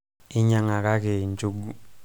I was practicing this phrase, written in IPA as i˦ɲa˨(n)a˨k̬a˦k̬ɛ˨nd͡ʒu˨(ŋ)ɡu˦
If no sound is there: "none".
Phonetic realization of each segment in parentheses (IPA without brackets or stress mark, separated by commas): ŋ, none